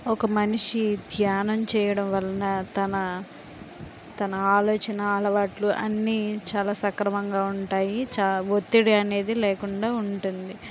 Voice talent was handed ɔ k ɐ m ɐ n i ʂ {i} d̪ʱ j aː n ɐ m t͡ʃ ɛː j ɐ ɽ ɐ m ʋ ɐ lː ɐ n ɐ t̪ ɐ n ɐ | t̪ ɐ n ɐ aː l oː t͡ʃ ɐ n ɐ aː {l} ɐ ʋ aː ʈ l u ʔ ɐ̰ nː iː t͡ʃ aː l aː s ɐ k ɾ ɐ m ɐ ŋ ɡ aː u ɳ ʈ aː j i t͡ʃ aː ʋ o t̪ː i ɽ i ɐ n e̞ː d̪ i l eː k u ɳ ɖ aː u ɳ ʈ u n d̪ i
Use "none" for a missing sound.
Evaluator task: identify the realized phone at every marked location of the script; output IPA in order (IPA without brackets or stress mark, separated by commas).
i, l